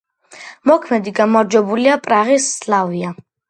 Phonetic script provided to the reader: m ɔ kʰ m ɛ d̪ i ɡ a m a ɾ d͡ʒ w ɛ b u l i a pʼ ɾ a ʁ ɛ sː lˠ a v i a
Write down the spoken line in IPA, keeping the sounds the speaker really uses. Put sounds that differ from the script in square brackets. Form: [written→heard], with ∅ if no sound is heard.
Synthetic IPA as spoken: m ɔ kʰ m ɛ d̪ i ɡ a m a ɾ d͡ʒ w ɛ b u l i a pʼ ɾ a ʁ [ɛ→i] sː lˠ a v i a